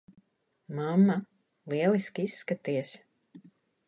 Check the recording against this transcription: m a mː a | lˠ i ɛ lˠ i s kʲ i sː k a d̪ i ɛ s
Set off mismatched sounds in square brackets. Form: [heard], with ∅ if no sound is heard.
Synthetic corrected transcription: m a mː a | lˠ i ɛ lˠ i s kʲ i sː k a [t̪] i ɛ s